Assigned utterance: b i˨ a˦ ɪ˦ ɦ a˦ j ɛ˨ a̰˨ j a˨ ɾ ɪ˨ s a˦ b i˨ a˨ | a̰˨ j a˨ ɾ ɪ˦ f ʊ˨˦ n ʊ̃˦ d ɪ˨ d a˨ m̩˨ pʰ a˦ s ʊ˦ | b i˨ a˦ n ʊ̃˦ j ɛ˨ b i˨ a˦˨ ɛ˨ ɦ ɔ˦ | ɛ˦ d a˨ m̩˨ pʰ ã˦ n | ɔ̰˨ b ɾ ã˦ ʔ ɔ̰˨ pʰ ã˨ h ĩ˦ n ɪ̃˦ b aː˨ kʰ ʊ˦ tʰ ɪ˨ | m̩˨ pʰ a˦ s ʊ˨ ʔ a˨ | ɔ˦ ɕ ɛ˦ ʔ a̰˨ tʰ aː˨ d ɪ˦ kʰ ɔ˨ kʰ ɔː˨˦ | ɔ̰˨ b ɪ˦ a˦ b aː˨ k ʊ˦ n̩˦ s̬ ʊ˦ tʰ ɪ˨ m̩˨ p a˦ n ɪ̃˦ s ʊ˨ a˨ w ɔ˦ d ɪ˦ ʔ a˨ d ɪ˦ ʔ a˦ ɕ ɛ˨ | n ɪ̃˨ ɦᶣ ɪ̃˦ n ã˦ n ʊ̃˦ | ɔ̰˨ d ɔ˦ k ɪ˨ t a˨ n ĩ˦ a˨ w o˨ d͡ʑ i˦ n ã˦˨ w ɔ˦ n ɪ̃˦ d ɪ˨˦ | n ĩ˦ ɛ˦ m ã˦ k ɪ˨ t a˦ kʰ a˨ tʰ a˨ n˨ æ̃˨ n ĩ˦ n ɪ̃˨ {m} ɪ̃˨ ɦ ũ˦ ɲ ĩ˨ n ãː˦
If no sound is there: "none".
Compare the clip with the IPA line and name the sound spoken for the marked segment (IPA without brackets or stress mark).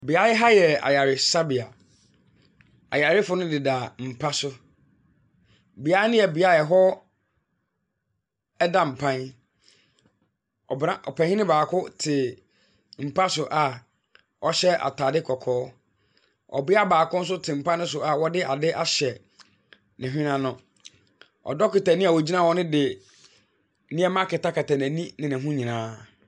n